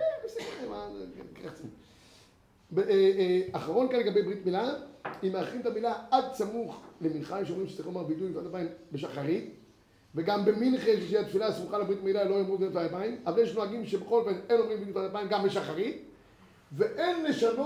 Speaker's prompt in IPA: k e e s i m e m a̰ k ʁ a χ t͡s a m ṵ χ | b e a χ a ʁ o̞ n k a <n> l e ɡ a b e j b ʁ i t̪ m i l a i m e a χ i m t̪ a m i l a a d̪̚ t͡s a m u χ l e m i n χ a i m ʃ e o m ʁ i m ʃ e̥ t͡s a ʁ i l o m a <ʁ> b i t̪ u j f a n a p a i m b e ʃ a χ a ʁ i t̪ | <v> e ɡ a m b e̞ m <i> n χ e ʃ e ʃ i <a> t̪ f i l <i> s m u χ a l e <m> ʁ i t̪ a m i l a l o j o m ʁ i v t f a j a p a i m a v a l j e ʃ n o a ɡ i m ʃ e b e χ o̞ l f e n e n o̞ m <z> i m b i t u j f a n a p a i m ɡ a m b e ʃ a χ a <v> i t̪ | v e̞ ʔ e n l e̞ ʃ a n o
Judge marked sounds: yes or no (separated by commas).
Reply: yes, yes, yes, yes, yes, no, no, no, no